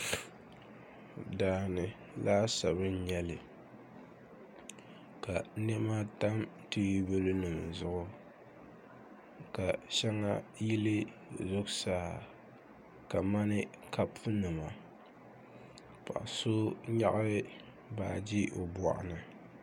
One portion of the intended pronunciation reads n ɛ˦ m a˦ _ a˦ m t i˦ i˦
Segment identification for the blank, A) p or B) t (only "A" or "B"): B